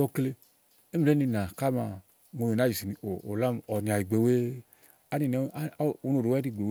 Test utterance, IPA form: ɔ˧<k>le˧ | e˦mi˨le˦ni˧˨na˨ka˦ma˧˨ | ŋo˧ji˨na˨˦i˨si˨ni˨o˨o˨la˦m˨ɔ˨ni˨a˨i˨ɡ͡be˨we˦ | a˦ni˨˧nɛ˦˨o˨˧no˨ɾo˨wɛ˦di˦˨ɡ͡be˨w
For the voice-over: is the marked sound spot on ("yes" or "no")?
yes